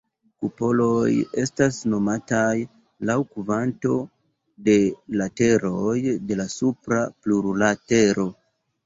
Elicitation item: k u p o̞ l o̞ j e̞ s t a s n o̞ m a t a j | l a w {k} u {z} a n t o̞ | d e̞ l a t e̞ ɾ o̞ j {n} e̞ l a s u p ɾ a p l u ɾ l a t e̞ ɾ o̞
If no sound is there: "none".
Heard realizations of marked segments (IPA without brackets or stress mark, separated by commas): k, v, d